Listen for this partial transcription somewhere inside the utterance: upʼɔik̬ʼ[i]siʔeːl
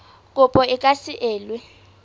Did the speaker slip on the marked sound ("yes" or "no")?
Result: yes